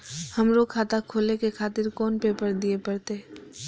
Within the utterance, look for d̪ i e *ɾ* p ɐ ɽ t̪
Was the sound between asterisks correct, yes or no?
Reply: no